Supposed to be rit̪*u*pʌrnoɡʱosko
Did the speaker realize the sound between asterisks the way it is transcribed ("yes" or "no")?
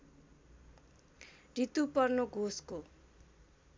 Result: yes